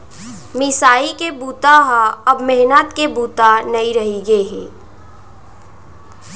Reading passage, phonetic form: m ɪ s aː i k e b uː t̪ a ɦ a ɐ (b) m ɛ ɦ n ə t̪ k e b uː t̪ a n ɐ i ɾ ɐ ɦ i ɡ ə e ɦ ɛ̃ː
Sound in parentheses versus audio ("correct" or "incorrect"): correct